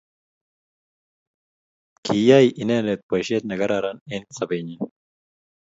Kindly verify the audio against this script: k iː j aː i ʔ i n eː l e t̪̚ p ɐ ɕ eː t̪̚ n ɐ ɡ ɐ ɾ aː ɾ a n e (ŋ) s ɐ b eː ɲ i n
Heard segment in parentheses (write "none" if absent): n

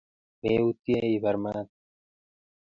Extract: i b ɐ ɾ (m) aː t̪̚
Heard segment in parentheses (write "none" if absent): m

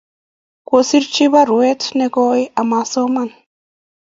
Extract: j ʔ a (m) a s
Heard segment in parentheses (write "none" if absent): m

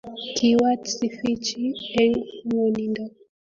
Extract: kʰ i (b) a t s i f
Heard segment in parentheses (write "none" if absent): w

